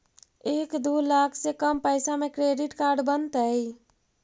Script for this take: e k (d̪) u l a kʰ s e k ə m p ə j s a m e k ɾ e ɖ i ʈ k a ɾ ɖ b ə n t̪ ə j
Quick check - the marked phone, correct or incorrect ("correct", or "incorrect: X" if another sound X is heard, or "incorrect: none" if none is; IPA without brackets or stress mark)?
correct